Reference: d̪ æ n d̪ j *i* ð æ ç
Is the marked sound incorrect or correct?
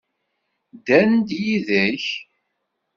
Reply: correct